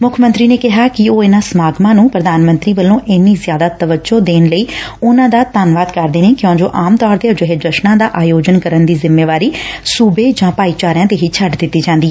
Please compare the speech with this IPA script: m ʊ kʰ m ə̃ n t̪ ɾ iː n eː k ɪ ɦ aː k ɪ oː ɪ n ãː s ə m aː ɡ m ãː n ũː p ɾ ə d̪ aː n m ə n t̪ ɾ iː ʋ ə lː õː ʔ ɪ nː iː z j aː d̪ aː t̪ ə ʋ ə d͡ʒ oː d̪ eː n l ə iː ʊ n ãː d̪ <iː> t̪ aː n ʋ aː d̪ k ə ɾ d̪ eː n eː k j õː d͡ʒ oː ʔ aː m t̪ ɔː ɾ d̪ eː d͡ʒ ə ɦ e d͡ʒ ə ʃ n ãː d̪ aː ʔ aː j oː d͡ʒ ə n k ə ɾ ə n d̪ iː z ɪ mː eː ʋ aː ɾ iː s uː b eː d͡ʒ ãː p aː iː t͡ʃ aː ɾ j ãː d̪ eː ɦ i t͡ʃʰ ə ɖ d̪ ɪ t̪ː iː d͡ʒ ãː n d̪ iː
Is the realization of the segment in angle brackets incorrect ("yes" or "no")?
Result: yes